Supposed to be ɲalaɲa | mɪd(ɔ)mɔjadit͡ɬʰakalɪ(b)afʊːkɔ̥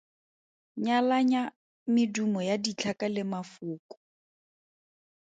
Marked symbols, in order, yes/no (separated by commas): no, no